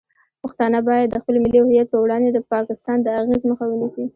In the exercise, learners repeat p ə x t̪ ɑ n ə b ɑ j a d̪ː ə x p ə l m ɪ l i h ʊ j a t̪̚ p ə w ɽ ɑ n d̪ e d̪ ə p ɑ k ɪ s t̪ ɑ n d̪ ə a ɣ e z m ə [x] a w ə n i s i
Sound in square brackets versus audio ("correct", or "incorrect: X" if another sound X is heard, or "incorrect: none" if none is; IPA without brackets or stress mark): correct